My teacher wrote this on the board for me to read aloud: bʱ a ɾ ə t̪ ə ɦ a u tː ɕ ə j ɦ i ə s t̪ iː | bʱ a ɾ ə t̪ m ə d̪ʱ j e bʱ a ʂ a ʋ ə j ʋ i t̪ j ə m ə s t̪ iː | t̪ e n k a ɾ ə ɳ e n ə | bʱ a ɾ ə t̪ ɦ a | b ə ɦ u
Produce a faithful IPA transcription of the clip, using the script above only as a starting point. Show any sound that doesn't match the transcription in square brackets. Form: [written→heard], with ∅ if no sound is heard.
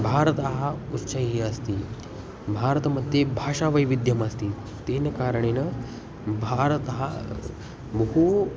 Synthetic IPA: bʱ a ɾ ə t̪ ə ɦ a u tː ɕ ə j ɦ i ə s t̪ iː | bʱ a ɾ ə t̪ m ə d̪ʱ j e bʱ a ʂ a ʋ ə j ʋ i [t̪→d̪] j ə m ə s t̪ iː | t̪ e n k a ɾ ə ɳ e n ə | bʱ a ɾ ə t̪ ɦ a | b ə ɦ u